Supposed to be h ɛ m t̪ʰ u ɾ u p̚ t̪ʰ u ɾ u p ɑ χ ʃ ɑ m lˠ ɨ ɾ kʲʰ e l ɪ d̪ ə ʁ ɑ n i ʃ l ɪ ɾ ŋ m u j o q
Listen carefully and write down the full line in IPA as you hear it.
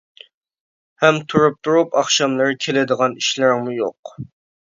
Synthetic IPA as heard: h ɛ m t̪ʰ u ɾ u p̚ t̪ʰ u ɾ u p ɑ χ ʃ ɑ m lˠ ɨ ɾ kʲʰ e l ɪ d̪ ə ʁ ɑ n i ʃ l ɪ ɾ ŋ m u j o q